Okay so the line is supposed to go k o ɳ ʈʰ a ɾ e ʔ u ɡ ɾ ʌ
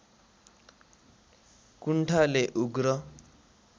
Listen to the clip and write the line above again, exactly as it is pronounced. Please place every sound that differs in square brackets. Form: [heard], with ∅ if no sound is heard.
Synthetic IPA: k [u] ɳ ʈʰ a [l] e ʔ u ɡ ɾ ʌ

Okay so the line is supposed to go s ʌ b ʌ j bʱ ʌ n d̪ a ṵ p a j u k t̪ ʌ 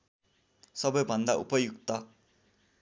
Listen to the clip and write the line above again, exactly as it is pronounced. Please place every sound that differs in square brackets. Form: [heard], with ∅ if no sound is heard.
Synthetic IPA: s ʌ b ʌ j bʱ ʌ n d̪ a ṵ p [ʌ] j u k t̪ ʌ

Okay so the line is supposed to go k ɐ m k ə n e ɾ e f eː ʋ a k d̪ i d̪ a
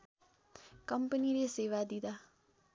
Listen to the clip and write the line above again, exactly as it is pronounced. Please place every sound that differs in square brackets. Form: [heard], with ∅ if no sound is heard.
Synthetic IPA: k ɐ m [p] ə n [i] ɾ e [s] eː ʋ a [∅] d̪ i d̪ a

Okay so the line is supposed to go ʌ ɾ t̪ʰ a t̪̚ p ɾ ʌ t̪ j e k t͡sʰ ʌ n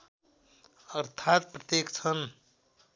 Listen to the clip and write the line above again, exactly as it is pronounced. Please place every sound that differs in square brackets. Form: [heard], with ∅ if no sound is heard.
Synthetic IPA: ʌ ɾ t̪ʰ a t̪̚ p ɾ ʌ t̪ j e k t͡sʰ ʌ n

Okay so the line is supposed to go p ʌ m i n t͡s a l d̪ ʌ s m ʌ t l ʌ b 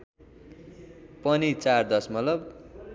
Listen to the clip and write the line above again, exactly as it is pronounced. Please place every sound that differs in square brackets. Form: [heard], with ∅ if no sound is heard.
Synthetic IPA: p ʌ [n] i [∅] t͡s a [r] d̪ ʌ s m ʌ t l ʌ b

